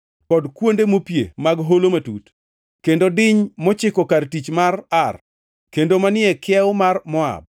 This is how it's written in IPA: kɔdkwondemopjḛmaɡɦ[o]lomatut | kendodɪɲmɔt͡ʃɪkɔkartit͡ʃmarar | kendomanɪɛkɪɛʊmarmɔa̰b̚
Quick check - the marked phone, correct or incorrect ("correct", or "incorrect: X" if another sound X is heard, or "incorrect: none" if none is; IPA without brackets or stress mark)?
correct